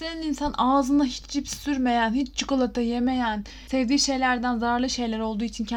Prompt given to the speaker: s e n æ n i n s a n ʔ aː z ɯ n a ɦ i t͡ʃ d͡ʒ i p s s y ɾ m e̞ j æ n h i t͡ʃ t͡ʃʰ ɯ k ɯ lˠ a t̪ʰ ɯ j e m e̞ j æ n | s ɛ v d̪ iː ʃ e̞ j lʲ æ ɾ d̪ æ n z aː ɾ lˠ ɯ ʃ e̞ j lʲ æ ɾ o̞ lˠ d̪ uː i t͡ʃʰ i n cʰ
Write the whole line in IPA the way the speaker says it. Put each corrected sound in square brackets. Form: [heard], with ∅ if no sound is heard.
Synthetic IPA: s e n [i] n i n s a n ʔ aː z ɯ n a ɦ i t͡ʃ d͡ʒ i p s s y ɾ m e̞ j æ n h i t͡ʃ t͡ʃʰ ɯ k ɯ lˠ a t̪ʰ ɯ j e m e̞ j æ n | s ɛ v d̪ iː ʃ e̞ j lʲ æ ɾ d̪ æ n z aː ɾ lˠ ɯ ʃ e̞ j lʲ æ ɾ o̞ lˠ d̪ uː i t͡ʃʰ i n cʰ